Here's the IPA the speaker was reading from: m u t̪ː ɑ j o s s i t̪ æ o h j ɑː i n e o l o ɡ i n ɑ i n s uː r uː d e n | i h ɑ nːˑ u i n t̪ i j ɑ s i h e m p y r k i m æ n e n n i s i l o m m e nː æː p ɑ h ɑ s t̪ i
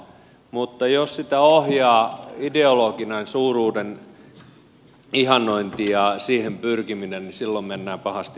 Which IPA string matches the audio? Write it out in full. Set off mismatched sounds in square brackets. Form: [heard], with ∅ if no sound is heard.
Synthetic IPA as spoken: m u t̪ː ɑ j o s s i t̪ æ o h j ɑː i [d] e o l o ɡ i n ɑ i n s uː r uː d e n | i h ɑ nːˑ [o] i n t̪ i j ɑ s [iː] h e m p y r k i m [i] n e n n i s i [lː] o m m e nː æː p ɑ h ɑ s t̪ i